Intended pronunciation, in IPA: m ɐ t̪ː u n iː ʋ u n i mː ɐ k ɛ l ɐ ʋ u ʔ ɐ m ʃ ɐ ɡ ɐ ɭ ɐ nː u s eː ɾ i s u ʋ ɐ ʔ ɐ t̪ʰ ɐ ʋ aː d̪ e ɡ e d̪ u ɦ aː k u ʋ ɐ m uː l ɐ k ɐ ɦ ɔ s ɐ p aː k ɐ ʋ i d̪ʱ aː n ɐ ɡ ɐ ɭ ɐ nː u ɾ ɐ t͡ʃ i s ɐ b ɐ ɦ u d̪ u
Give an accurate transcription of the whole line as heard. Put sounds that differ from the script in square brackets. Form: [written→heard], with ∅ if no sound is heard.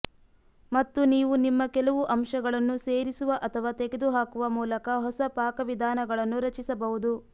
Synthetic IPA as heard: m ɐ t̪ː u n iː ʋ u n i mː ɐ k ɛ l ɐ ʋ u ʔ ɐ m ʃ ɐ ɡ ɐ ɭ ɐ nː u s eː ɾ i s u ʋ ɐ ʔ ɐ t̪ʰ ɐ ʋ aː [d̪→t̪] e ɡ e d̪ u ɦ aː k u ʋ ɐ m uː l ɐ k ɐ ɦ ɔ s ɐ p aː k ɐ ʋ i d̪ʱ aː n ɐ ɡ ɐ ɭ ɐ nː u ɾ ɐ t͡ʃ i s ɐ b ɐ ɦ u d̪ u